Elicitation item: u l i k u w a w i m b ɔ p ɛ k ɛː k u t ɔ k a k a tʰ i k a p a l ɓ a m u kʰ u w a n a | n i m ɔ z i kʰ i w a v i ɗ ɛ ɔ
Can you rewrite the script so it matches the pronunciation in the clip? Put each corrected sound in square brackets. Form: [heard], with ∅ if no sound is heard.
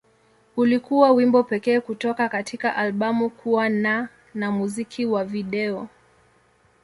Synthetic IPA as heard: u l i k u w a w i m b ɔ p ɛ k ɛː k u t ɔ k a k a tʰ i k a [ʔ] a l ɓ a m u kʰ u w a n a | n [a] m [u] z i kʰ i w a v i ɗ ɛ ɔ